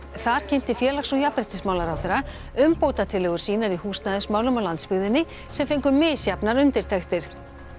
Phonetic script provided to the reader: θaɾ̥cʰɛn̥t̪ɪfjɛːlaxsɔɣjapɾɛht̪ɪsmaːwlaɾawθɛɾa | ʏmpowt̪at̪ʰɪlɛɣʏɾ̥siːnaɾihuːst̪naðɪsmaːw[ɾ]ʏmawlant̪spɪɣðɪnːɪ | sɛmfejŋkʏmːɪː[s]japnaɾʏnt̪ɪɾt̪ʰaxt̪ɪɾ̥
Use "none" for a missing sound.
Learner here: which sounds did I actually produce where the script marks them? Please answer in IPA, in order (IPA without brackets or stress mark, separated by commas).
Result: l, s